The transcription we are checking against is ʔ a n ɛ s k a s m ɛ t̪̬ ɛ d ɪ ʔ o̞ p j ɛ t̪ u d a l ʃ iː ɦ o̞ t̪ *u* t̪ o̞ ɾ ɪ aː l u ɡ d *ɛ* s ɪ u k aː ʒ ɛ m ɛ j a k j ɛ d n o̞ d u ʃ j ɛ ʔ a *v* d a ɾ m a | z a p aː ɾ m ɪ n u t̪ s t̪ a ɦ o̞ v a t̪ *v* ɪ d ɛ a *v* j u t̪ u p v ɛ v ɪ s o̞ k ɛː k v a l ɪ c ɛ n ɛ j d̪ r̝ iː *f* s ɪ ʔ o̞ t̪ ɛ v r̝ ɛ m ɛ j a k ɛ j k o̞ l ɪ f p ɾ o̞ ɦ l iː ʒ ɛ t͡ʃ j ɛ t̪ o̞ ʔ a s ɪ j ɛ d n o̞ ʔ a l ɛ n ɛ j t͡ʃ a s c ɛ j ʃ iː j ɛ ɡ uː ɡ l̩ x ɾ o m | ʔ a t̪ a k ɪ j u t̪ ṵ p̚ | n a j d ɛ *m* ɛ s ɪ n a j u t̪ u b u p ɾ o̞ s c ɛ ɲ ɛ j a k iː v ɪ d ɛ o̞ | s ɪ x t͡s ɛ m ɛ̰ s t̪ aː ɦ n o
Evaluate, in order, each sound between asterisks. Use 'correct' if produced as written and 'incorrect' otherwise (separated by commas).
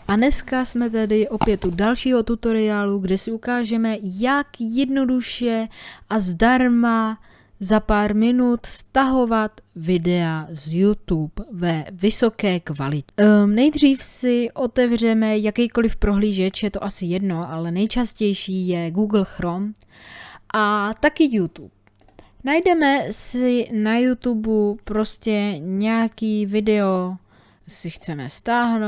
correct, correct, incorrect, correct, incorrect, correct, correct